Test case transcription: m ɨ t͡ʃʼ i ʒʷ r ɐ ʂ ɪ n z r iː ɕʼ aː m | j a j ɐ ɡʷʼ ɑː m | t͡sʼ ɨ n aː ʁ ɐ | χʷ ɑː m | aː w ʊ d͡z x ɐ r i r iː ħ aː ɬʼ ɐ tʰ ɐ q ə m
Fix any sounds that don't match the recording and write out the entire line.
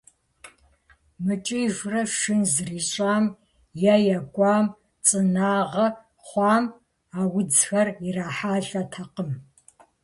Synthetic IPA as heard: m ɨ t͡ʃʼ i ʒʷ r ɐ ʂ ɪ n z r iː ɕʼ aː m | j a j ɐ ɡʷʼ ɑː m | t͡sʼ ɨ n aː ʁ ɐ | χʷ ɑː m | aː w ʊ d͡z x ɐ r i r aː ħ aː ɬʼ ɐ tʰ ɐ q ə m